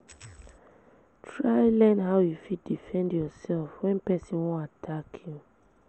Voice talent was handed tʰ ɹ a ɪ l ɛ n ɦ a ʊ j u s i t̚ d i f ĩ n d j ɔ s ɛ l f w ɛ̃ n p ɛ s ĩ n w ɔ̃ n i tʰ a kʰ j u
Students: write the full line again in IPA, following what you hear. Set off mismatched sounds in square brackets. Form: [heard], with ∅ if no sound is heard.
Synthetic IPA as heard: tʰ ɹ a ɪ l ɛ n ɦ a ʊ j u [f] i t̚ d i f [ɛ̃] n d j ɔ s ɛ l f w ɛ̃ n p ɛ s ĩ n w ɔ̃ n [a] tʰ a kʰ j u